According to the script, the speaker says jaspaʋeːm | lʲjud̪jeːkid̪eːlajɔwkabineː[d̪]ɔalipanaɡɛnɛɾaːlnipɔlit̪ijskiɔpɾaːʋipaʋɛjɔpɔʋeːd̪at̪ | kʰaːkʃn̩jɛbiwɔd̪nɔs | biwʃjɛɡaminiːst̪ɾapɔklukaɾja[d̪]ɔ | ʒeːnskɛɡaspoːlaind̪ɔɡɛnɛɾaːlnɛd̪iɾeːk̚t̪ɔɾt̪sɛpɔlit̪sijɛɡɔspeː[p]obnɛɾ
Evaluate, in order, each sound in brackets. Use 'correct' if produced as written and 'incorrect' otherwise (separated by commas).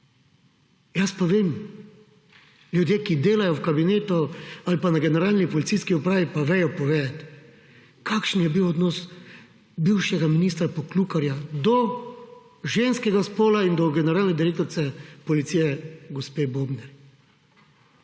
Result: incorrect, correct, incorrect